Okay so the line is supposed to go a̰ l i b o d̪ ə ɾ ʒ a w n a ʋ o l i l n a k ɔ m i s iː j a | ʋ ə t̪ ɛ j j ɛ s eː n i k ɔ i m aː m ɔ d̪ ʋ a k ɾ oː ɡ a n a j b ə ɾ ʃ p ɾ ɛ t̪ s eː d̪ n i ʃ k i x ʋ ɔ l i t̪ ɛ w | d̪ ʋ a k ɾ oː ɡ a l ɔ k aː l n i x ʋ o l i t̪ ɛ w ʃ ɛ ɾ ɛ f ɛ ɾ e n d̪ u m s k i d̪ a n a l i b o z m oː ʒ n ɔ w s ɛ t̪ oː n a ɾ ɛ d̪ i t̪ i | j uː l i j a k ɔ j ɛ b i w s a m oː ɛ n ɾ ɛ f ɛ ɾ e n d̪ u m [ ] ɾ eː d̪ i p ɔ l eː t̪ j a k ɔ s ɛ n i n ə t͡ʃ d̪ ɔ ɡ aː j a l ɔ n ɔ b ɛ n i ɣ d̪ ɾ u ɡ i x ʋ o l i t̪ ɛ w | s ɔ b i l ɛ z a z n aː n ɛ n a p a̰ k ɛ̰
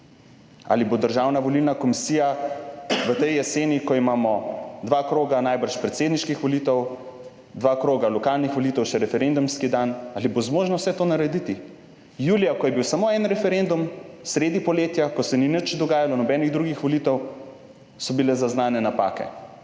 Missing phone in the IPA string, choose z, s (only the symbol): s